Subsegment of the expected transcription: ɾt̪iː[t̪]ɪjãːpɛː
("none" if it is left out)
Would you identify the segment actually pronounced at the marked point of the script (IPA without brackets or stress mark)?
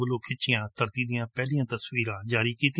d̪